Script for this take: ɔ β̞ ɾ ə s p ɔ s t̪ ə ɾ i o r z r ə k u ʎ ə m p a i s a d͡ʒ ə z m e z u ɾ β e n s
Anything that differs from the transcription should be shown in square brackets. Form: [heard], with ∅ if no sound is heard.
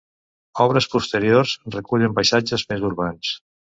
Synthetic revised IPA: ɔ β̞ ɾ ə s p [u] s t̪ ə ɾ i o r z r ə k u ʎ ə m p a [j] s a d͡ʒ ə z m e z u ɾ β [a] n s